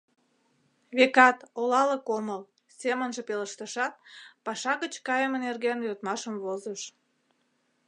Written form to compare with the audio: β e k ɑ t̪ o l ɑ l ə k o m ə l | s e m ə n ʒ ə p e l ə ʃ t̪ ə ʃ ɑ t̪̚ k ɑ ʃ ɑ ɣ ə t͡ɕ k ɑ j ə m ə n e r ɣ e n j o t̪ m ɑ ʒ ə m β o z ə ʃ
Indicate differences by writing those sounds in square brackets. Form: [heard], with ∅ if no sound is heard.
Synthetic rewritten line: β e k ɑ t̪ o l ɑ l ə k o m ə l | s e m ə n ʒ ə p e l ə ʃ t̪ ə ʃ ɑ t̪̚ [p] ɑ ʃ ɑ ɣ ə t͡ɕ k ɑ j ə m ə n e r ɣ e n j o t̪ m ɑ [ʃ] ə m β o z ə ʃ